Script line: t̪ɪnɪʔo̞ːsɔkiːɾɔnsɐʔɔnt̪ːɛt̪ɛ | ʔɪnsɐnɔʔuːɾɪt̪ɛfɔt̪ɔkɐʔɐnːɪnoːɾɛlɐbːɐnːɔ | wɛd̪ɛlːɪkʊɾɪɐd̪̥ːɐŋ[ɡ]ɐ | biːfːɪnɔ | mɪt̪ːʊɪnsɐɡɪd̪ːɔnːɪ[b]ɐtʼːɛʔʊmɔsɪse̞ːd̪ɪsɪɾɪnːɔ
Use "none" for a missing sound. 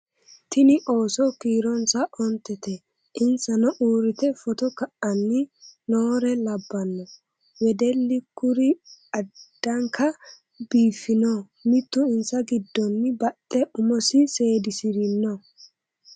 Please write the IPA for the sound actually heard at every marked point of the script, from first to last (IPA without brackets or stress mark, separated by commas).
k, b